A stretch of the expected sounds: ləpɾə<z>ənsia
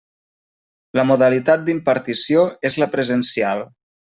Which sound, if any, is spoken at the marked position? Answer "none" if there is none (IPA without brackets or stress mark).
z